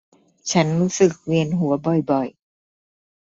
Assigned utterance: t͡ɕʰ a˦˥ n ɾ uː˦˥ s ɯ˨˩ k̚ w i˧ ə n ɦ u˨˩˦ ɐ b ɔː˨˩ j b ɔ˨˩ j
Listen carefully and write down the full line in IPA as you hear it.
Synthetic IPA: t͡ɕʰ a˦˥ n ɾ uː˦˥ s ɯ˨˩ k̚ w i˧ ə n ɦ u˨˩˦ ɐ b ɔ˨˩ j b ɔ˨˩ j